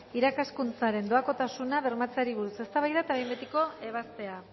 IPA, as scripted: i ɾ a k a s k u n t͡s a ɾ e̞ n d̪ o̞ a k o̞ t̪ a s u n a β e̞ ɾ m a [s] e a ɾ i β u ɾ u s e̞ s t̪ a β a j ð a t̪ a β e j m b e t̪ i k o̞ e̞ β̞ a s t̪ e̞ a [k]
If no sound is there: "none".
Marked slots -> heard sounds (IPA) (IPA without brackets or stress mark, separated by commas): t͡s, none